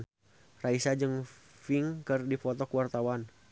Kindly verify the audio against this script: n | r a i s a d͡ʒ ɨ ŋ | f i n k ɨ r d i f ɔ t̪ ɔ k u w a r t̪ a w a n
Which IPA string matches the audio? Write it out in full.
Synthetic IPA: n | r a i s a d͡ʒ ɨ ŋ | f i ŋ k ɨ r d i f ɔ t̪ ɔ k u w a r t̪ a w a n